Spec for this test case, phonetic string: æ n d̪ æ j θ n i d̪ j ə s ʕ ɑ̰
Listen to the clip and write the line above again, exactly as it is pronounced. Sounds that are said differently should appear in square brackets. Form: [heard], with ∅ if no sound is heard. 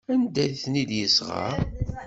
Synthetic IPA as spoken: æ n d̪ æ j θ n i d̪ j ə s [ʁ] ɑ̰